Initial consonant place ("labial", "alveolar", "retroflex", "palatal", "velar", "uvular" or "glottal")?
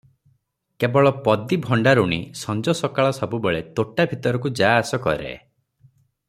velar